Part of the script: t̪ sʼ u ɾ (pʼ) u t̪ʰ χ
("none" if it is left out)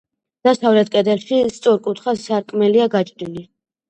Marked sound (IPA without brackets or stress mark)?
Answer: kʼ